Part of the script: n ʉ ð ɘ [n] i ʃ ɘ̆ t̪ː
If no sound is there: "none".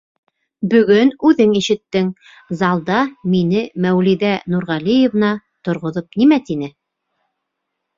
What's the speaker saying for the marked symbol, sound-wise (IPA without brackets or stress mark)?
ŋ